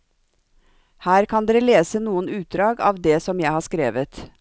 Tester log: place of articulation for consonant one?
glottal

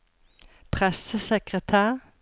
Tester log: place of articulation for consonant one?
labial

